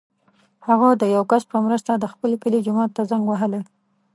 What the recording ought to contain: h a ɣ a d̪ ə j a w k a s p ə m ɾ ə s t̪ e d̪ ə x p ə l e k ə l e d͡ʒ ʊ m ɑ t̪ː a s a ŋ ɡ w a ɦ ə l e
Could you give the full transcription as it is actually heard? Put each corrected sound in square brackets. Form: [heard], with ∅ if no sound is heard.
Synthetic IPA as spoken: h a ɣ a d̪ ə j a w k a s p ə m ɾ ə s t̪ [a] d̪ ə x p ə l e k ə l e d͡ʒ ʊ m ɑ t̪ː a [z] a ŋ ɡ w a ɦ ə l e